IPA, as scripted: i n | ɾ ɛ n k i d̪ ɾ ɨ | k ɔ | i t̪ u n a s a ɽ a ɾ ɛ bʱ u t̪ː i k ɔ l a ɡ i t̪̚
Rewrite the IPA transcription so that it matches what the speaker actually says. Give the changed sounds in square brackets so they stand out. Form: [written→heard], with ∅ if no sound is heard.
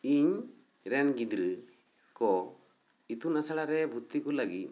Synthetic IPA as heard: i [n→ɲ] | ɾ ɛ n [k→ɡ] i d̪ ɾ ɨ | k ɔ | i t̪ u n a s a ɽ a ɾ ɛ bʱ u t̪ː i k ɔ l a ɡ i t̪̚

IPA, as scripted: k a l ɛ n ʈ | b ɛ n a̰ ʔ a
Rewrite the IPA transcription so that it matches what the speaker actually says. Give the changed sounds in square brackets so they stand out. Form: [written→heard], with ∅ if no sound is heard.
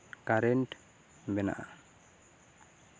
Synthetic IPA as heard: k a [l→ɾ] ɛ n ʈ | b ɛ n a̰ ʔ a

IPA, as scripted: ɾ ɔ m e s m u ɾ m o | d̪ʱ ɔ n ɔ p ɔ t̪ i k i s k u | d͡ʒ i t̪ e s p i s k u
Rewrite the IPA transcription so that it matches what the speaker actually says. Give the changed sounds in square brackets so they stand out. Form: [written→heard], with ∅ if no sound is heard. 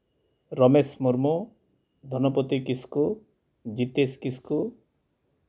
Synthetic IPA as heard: ɾ ɔ m e s m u ɾ m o | d̪ʱ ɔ n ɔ p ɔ t̪ i k i s k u | d͡ʒ i t̪ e s [p→k] i s k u

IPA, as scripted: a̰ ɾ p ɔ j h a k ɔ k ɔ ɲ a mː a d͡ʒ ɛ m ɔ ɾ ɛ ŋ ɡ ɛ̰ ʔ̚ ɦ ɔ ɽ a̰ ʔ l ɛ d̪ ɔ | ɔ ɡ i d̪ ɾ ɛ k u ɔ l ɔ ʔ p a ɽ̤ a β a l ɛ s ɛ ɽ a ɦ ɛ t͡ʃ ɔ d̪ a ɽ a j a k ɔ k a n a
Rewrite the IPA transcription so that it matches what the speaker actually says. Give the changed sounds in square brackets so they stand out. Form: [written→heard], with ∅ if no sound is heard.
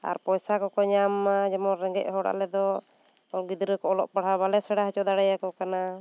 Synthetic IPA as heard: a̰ ɾ p ɔ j [h→s] a k ɔ k ɔ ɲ a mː a d͡ʒ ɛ m ɔ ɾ ɛ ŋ ɡ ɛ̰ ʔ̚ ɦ ɔ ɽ a̰ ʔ l ɛ d̪ ɔ | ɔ ɡ i d̪ ɾ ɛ k [u→ɔ] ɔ l ɔ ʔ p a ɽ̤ a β a l ɛ s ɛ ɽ a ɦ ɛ t͡ʃ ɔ d̪ a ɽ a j a k ɔ k a n a

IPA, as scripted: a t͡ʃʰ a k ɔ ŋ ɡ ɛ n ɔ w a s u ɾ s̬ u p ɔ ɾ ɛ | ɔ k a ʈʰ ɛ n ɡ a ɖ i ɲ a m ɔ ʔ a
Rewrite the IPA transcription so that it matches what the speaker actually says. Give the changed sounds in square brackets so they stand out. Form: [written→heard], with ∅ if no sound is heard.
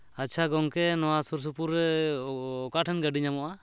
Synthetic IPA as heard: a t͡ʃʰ a [k→ɡ] ɔ ŋ [ɡ→k] ɛ n ɔ w a s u ɾ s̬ u p [ɔ→u] ɾ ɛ | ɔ k a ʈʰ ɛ n ɡ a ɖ i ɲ a m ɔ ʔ a

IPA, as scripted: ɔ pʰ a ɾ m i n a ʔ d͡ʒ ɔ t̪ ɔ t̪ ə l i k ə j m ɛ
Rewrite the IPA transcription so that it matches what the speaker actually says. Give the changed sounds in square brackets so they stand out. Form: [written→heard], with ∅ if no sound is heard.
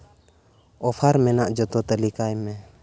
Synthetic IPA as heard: ɔ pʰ a ɾ m [i→ɛ] n a ʔ d͡ʒ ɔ t̪ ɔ t̪ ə l i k [ə→a] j m ɛ

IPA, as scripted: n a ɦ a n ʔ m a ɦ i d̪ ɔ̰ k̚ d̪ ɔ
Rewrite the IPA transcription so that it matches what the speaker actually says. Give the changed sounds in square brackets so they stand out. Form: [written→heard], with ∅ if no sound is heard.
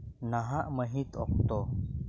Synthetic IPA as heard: n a ɦ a [n→∅] ʔ m [a→ə] ɦ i [d̪→t̪] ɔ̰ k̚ [d̪→t̪] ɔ

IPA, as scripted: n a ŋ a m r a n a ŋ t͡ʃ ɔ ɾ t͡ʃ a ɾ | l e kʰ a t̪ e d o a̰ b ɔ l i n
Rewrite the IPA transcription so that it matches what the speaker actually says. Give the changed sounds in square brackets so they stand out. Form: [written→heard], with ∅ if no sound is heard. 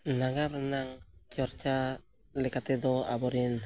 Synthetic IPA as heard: n a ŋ a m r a n a ŋ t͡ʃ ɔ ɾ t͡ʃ a [ɾ→∅] | l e [kʰ→k] a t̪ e d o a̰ b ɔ [l→ɾ] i n

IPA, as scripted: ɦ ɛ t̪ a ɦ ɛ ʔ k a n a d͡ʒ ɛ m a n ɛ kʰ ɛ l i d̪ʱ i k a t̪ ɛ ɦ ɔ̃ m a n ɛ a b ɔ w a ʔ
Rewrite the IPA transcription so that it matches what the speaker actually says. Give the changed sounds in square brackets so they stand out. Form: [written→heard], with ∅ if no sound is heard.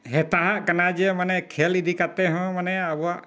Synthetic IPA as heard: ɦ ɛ t̪ a ɦ [ɛ→a] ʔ k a n a d͡ʒ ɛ m a n ɛ kʰ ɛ l i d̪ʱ i k a t̪ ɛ ɦ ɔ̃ m a n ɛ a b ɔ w a ʔ

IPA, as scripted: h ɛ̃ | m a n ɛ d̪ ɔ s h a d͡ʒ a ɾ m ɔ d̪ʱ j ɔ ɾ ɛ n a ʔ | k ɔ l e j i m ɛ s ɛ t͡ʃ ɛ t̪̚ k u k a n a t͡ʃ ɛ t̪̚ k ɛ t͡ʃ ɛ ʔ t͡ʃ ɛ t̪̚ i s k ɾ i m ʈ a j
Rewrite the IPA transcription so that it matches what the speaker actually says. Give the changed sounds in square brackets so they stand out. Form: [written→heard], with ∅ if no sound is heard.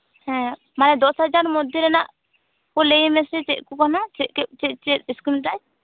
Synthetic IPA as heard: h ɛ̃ | m a n ɛ d̪ ɔ s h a d͡ʒ a ɾ m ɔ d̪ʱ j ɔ ɾ ɛ n a ʔ | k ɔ l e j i m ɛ s ɛ t͡ʃ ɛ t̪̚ k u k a n a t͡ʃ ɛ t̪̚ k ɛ t͡ʃ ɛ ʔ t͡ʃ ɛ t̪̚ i s k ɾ i m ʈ a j

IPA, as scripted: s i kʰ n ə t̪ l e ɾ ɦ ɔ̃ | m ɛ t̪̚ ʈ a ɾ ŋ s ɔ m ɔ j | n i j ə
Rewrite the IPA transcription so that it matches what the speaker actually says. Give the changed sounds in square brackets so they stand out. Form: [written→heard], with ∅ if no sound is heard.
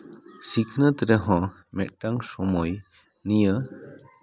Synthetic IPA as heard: s i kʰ n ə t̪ [l→ɾ] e [ɾ→∅] ɦ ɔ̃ | m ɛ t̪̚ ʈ a [ɾ→∅] ŋ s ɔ m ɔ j | n i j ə

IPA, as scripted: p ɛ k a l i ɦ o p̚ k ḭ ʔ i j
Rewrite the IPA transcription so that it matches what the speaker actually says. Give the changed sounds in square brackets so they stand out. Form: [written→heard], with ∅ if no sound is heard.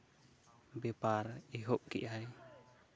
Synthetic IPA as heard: [p→b] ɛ [k→p] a [l→ɾ] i ɦ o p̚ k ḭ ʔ [i→a] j

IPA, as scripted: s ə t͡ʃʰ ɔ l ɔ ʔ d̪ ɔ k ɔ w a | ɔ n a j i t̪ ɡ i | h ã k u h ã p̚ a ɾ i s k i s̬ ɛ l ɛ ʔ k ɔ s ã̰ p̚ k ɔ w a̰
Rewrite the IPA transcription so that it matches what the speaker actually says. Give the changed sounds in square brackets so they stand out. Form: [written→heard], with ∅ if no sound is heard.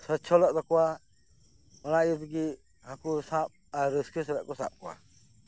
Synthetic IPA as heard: s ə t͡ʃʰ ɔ l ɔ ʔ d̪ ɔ k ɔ w a | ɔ n a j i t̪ ɡ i | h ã k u [h→s] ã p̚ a ɾ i s k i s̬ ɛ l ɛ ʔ k ɔ s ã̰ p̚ k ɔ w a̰

